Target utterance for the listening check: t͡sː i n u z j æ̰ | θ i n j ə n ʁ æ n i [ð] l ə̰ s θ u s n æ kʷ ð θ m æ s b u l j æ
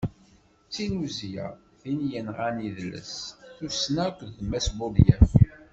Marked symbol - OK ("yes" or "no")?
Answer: yes